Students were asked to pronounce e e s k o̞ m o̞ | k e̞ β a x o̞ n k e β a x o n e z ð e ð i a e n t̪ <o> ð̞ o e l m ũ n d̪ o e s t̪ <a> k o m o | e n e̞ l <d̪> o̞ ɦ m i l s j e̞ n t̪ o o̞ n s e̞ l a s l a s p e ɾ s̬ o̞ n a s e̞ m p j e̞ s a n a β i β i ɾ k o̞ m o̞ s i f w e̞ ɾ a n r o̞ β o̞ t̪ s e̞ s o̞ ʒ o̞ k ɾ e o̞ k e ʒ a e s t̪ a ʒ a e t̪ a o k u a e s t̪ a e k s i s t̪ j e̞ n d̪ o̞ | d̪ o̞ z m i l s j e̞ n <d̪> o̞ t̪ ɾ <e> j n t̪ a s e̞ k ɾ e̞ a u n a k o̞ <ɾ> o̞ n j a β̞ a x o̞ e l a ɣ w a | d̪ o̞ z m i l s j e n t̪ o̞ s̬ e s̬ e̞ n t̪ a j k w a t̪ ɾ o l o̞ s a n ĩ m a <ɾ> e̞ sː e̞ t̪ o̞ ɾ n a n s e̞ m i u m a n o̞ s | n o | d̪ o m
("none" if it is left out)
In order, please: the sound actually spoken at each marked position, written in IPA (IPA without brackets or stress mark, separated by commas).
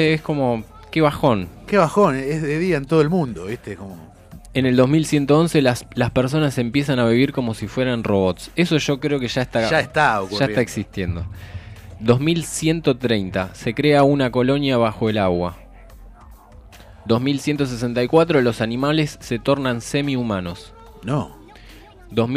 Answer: o, e, d̪, t̪, e, l, l